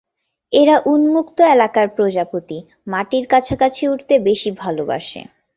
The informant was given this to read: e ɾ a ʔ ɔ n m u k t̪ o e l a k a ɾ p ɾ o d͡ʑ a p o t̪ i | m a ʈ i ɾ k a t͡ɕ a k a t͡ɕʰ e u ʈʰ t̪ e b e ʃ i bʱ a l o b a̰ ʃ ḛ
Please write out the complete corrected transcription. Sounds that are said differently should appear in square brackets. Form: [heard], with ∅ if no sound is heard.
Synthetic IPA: e ɾ a ʔ [u] n m u k t̪ o e l a k a ɾ p ɾ o d͡ʑ a p o t̪ i | m a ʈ i ɾ k a [t͡ɕʰ] a k a t͡ɕʰ e u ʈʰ t̪ e b e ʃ i bʱ a l o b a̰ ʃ ḛ